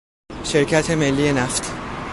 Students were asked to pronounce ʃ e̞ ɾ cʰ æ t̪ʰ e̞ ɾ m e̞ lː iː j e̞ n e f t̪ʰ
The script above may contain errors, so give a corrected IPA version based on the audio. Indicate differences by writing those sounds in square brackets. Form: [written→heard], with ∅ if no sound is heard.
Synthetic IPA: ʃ e̞ ɾ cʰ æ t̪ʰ e̞ [ɾ→∅] m e̞ lː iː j e̞ n [e→æ] f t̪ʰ